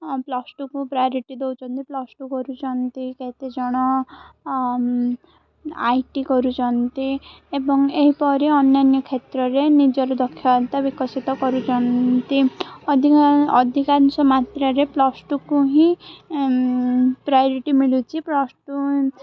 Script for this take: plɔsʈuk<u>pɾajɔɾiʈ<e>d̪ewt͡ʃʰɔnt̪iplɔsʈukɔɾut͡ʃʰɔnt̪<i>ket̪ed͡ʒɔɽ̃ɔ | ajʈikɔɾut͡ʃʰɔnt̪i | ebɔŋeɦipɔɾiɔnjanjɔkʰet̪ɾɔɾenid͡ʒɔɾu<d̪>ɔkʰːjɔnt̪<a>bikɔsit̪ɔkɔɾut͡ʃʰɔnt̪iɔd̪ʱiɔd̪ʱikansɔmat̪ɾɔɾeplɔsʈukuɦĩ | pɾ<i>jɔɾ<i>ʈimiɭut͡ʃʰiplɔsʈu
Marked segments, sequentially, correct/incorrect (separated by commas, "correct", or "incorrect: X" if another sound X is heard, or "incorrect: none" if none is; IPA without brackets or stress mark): correct, incorrect: i, correct, correct, correct, incorrect: a, correct